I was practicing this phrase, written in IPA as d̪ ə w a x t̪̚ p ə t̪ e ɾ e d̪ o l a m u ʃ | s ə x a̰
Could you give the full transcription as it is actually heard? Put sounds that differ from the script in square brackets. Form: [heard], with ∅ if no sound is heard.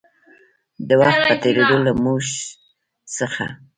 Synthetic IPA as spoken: d̪ ə w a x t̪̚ p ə t̪ e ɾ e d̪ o l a m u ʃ | s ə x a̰

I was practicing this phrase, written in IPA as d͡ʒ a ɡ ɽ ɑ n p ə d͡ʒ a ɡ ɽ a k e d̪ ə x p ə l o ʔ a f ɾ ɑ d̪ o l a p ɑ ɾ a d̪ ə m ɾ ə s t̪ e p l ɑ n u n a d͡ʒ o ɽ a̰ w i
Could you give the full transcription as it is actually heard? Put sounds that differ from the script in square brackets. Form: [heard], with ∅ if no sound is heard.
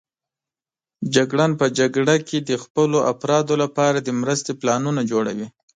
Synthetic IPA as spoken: d͡ʒ a ɡ ɽ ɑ n p ə d͡ʒ a ɡ ɽ a k e d̪ ə x p ə l o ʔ a f ɾ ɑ d̪ o l a p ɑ ɾ a d̪ ə m ɾ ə s t̪ e p l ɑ n u n a d͡ʒ o ɽ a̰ w i

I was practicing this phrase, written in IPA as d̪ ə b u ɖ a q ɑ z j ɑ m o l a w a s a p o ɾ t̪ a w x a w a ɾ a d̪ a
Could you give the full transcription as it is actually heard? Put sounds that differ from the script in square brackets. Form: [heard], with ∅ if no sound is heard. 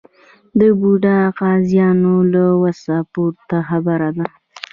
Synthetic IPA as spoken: d̪ ə b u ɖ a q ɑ z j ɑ [n] o l a w a s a p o ɾ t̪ a [∅] x a [b] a ɾ a d̪ a

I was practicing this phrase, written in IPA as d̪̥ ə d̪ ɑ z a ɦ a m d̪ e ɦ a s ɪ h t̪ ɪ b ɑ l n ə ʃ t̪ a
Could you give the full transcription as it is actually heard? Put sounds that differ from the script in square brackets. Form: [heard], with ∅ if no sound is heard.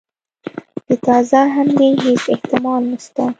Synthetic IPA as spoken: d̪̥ ə [t̪] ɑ z a ɦ a m d̪ e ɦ [e] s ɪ h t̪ ɪ [m] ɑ l n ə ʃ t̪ a

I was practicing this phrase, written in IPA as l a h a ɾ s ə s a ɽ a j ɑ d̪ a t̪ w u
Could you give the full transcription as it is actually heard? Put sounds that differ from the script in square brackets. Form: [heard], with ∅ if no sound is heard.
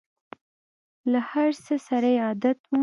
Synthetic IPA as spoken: l a h a ɾ s ə s a [ɾ] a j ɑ d̪ a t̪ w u

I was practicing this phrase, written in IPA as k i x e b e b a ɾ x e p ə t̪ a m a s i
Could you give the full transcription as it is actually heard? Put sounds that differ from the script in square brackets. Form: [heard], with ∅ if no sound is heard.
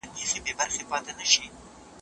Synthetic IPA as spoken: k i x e b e b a ɾ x e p [ɑ] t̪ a [n] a [ʃ] i

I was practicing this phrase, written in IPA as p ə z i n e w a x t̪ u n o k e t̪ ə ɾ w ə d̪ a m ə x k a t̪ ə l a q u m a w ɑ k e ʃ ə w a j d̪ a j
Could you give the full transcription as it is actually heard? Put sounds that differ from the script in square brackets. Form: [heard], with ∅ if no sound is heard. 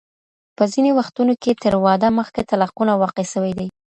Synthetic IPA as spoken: p ə z i n e w a x t̪ u n o k e t̪ ə ɾ w [ɑ] d̪ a m ə x k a t̪ [a] l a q u [n] a w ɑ [q] e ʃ ə w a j d̪ a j

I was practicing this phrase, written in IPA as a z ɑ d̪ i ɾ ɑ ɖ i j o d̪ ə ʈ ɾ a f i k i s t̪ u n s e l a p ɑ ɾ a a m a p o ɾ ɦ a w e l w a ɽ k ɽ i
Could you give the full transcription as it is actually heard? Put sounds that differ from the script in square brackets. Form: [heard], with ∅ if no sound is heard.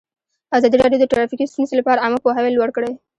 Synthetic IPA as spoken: a z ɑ d̪ i ɾ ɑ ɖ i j o d̪ ə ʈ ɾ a f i k i s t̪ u n s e l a p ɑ ɾ a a m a p o [∅] ɦ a w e l w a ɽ k ɽ [e]

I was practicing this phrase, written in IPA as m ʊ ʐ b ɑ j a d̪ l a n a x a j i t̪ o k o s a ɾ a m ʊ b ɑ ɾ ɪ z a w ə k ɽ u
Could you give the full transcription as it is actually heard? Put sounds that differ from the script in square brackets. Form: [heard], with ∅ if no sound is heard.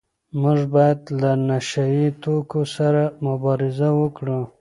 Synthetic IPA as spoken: m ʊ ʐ b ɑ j a d̪ l a n a [ʃ] a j i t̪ o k o s a ɾ a m ʊ b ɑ ɾ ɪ z a w ə k ɽ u

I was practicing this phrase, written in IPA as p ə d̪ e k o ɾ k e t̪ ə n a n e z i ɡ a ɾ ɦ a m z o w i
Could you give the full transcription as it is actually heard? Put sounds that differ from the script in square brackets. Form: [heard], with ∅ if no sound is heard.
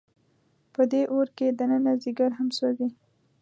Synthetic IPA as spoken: p ə d̪ e [ʔ] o ɾ k e [d̪] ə n [ə] n [a] z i ɡ a ɾ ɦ a m [s] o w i

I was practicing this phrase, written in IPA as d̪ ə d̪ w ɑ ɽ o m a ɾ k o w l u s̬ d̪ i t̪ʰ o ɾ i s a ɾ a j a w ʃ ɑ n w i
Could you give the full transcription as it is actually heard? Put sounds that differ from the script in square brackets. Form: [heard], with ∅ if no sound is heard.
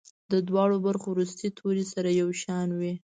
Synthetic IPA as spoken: d̪ ə d̪ w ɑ ɽ o [b] a ɾ [x] o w [ɾ] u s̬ [t̪] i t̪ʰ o ɾ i s a ɾ a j a w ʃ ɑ n w i

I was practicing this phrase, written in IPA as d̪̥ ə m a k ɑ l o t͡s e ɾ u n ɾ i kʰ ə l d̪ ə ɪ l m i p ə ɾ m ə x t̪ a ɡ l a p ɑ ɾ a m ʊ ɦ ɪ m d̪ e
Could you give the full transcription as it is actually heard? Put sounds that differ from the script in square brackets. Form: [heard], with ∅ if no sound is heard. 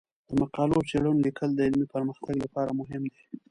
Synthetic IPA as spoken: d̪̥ ə m a [q] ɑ l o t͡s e [ɽ] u n [l] i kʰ ə l d̪ ə ɪ l m i p ə ɾ m ə x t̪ a ɡ l a p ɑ ɾ a m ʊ ɦ ɪ m d̪ e

